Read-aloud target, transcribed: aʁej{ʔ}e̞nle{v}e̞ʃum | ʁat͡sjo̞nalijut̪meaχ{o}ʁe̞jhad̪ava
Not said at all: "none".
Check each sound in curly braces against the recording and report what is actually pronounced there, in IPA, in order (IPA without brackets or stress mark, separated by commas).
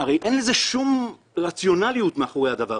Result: ʔ, z, o